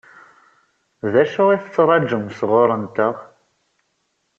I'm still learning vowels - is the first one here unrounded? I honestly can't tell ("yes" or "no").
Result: yes